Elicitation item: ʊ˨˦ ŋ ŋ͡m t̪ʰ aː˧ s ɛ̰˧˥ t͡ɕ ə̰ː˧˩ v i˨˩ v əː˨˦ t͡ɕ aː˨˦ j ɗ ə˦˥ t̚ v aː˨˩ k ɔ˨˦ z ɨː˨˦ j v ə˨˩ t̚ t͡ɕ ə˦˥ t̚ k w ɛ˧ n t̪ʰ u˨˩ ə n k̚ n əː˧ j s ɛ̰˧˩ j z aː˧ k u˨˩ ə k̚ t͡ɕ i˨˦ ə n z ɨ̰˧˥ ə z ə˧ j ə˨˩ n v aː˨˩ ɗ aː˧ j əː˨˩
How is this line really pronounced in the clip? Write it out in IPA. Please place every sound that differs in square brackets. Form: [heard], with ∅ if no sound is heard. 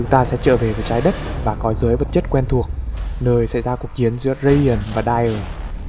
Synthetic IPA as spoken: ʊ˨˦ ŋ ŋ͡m [t̪] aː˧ s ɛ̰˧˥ t͡ɕ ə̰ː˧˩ v [e˨˩] v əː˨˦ t͡ɕ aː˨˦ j ɗ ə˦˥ t̚ v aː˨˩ k ɔ˨˦ z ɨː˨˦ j v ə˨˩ t̚ t͡ɕ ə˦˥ t̚ k w ɛ˧ n t̪ʰ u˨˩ ə [∅] k̚ n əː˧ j s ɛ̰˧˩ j z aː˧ k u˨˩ ə k̚ t͡ɕ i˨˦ ə n z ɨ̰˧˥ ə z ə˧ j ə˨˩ n v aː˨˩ ɗ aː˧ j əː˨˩